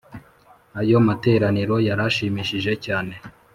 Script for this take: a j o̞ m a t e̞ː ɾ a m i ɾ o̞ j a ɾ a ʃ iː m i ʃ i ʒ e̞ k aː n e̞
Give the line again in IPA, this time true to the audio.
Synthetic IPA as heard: a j o̞ m a t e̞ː ɾ a n i ɾ o̞ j a ɾ a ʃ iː m i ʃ i ʒ e̞ c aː n e̞